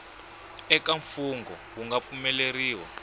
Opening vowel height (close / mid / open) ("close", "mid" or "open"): mid